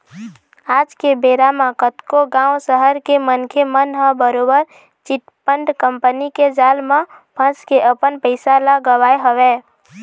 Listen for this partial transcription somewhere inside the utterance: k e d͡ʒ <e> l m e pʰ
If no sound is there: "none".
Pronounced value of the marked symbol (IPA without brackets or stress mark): a